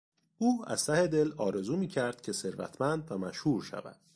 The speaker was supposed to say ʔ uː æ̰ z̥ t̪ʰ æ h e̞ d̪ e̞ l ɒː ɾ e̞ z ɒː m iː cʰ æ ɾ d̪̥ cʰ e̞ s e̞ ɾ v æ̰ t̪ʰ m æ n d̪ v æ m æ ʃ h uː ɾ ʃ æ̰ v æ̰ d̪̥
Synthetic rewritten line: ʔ uː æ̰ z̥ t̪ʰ æ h e̞ d̪ e̞ l ɒː ɾ e̞ z uː m iː cʰ æ ɾ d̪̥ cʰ e̞ s e̞ ɾ v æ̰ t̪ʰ m æ n d̪ v æ m æ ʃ h uː ɾ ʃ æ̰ v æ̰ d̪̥